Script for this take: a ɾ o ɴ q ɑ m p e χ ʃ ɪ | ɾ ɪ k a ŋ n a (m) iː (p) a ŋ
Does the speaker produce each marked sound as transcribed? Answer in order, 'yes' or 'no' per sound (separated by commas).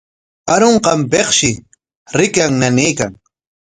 no, no